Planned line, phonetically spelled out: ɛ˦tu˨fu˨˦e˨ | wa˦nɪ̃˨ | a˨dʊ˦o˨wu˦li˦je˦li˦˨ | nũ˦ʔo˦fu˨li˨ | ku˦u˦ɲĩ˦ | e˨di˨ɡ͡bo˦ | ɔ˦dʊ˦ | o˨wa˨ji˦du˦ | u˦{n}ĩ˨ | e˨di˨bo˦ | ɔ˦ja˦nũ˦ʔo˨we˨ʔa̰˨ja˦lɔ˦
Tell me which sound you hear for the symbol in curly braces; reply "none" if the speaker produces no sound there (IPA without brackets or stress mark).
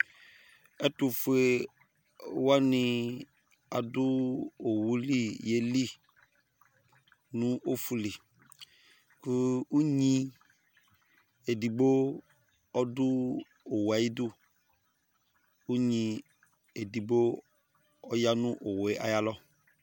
ɲ